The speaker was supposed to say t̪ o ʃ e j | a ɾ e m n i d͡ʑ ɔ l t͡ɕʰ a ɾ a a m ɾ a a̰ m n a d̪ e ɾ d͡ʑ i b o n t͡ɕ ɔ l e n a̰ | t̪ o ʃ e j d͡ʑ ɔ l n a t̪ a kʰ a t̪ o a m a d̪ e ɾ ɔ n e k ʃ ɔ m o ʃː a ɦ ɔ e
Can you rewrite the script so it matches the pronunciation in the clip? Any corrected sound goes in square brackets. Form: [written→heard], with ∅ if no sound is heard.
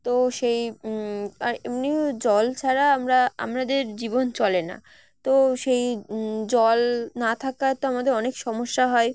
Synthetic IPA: t̪ o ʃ e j | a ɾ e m n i d͡ʑ ɔ l t͡ɕʰ a ɾ a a m ɾ a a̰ m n a d̪ e ɾ d͡ʑ i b o n t͡ɕ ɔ l e n a̰ | t̪ o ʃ e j d͡ʑ ɔ l n a [t̪→t̪ʰ] a [kʰ→k] a t̪ o a m a d̪ e ɾ ɔ n e k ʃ ɔ m o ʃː a ɦ ɔ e

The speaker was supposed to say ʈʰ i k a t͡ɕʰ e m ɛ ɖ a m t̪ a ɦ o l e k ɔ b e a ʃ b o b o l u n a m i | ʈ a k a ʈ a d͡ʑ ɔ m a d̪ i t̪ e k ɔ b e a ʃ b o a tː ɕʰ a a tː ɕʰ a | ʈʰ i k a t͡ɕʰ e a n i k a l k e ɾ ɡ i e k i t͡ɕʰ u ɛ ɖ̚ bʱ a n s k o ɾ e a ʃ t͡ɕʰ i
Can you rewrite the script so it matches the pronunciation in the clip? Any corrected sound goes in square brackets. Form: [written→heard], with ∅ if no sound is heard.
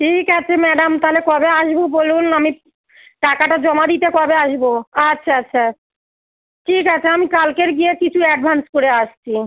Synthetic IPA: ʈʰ i k a t͡ɕʰ e m ɛ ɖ a m t̪ a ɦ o l e k ɔ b e a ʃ b o b o l u n a m i | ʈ a k a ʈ a d͡ʑ ɔ m a d̪ i t̪ e k ɔ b e a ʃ b o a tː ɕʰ a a tː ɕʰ a | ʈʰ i k a t͡ɕʰ e a [n→m] i k a l k e ɾ ɡ i e k i t͡ɕʰ u ɛ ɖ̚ bʱ a n s k o ɾ e a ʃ t͡ɕʰ i

